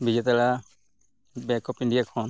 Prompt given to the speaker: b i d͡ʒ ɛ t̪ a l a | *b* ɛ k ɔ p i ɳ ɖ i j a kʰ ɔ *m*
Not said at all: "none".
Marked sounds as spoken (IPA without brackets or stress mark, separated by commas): b, n